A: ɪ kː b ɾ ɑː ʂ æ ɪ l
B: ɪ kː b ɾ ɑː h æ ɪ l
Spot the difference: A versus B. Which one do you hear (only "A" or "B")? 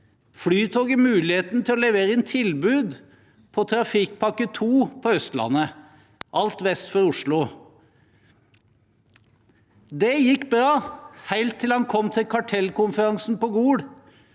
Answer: B